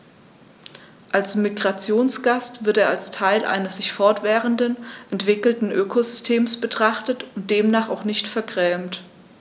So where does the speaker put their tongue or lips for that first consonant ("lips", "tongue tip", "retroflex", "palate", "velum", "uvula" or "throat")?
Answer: throat